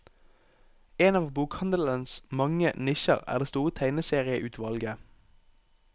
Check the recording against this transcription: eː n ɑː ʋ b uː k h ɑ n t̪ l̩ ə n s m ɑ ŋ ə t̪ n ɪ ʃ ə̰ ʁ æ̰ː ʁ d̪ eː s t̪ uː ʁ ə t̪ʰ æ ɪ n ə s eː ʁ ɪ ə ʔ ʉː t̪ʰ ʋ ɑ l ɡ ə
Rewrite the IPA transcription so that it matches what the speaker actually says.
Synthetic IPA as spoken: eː n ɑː ʋ b uː k h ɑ n d̪ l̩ ə n s m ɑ ŋ ə n ɪ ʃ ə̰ ʁ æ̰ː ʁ d̪ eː s t̪ uː ʁ ə t̪ʰ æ ɪ n ə s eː ʁ ɪ ə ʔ ʉː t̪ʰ ʋ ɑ l ɡ ə